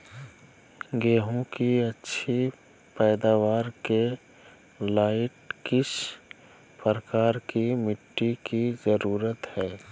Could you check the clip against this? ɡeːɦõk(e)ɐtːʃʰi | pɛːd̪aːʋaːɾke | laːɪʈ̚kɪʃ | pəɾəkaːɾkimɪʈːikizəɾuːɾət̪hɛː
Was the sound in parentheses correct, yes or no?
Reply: no